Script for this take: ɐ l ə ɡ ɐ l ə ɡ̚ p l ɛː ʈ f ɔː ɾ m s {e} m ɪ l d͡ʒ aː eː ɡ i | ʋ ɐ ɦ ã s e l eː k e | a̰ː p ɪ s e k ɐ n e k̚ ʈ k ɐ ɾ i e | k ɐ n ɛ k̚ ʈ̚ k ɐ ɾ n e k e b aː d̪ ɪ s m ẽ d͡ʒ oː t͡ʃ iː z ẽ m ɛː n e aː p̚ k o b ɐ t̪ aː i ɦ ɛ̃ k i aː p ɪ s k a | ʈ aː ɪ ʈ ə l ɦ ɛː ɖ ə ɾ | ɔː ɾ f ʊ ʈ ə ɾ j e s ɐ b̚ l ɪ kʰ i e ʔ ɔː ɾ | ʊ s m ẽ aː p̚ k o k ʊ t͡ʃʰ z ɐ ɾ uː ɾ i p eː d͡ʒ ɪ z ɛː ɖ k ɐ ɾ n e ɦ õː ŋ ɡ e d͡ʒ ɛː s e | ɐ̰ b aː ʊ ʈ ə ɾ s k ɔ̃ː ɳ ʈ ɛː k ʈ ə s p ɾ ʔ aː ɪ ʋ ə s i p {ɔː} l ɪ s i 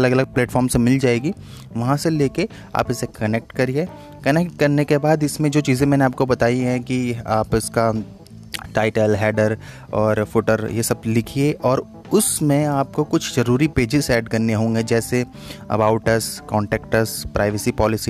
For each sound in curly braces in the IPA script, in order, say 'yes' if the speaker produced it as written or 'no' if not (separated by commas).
yes, yes